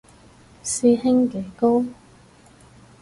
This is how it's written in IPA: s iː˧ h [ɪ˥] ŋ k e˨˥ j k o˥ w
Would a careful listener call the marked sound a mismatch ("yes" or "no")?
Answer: no